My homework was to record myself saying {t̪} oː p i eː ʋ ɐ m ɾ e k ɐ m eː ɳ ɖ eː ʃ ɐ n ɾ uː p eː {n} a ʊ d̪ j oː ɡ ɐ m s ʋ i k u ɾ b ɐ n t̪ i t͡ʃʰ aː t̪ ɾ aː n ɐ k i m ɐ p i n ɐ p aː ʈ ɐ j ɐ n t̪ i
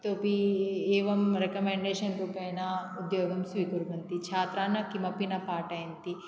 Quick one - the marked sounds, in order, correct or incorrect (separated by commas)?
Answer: correct, correct